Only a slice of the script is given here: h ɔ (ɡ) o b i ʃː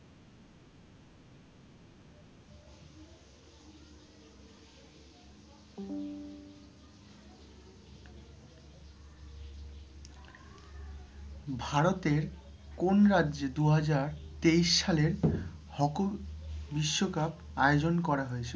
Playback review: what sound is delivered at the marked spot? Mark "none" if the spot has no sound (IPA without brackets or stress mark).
k